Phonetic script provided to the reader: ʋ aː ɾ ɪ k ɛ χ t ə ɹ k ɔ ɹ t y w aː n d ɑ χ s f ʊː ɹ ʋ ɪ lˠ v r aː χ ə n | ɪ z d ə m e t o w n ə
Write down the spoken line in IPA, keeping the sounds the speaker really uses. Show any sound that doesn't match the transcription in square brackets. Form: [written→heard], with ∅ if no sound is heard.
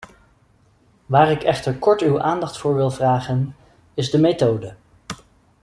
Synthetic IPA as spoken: ʋ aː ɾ ɪ k ɛ χ t ə ɹ k ɔ ɹ t y w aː n d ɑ χ [s→t] f ʊː ɹ ʋ ɪ lˠ v r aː χ ə n | ɪ z d ə m e t o w [n→d] ə

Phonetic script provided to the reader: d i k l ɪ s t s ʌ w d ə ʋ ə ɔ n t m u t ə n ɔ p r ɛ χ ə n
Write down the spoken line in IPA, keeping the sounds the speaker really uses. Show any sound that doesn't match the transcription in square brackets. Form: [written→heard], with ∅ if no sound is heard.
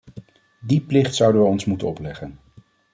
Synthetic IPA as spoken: d i [k→p] l ɪ [s→χ] t s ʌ w d ə ʋ ə ɔ n [t→s] m u t ə n ɔ p [r→l] ɛ χ ə n

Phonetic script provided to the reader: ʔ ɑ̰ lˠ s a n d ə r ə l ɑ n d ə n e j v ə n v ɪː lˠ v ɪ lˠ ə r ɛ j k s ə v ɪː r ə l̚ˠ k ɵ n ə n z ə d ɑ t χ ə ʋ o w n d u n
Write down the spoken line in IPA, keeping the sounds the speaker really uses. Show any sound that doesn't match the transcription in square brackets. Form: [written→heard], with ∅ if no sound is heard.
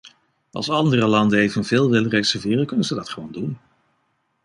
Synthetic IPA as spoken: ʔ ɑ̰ lˠ s [a→ɑ] n d ə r ə l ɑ n d ə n e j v ə n v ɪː lˠ [v→ʋ] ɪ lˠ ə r ɛ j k s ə v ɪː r ə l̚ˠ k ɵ n ə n z ə d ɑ t χ ə ʋ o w n d u n

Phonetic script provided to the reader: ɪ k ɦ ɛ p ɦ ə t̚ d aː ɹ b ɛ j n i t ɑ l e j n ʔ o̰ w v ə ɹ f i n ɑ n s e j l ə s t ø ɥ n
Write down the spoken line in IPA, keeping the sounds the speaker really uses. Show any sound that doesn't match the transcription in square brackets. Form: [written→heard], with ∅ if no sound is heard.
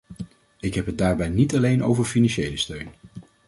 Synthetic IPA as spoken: ɪ k ɦ ɛ p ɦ ə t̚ d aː ɹ b ɛ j n i t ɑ l e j n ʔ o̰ w v ə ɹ f i n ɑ n [s→ʃ] e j l ə s t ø ɥ n

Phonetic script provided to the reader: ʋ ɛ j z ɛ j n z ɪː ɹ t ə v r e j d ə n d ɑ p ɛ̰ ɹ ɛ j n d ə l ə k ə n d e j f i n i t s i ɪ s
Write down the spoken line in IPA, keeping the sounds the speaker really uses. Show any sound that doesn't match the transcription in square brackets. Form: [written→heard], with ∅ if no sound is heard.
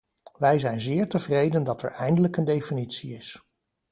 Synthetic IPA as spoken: ʋ ɛ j z ɛ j n z ɪː ɹ t ə v r e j d ə n d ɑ [p→t] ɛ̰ ɹ ɛ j n d ə l ə k ə n d e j f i n i t s i ɪ s

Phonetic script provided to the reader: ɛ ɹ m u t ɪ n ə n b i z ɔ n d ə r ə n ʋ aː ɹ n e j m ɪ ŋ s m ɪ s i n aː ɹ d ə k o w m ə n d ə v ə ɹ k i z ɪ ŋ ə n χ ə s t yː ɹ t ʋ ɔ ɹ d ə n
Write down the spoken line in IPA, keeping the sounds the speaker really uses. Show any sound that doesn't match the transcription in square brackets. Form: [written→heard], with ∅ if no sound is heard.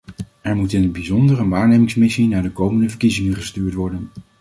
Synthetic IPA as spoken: ɛ ɹ m u t ɪ n ə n b i z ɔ n d ə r ə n ʋ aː ɹ n e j m ɪ ŋ s m ɪ s i n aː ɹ d ə k o w m ə n d ə v ə ɹ k i z ɪ ŋ ə n χ ə s t yː ɹ t ʋ ɔ ɹ d ə n

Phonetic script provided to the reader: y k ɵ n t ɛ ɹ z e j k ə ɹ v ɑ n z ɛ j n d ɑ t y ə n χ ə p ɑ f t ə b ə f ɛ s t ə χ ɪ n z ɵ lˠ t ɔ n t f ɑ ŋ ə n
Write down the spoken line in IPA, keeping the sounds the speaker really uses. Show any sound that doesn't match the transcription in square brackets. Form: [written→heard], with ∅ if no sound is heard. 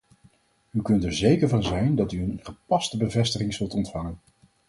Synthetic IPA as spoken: y k ɵ n t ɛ ɹ z e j k ə ɹ v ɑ n z ɛ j n d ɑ t y ə n χ ə p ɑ [f→s] t ə b ə [f→v] ɛ s t ə χ ɪ [n→ŋ] z ɵ lˠ t ɔ n t f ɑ ŋ ə n

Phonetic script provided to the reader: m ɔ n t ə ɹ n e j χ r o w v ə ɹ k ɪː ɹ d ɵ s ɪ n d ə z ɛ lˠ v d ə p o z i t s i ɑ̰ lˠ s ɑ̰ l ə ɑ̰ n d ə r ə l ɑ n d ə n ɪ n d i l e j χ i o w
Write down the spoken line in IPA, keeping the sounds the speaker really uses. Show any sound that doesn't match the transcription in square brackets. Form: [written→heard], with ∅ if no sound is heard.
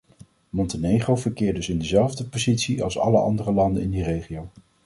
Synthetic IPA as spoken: m ɔ n t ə [ɹ→∅] n e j χ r o w v ə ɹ k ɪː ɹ d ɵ s ɪ n d ə z ɛ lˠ v d ə p o z i t s i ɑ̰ lˠ s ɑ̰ l ə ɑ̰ n d ə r ə l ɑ n d ə n ɪ n d i [l→r] e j χ i o w

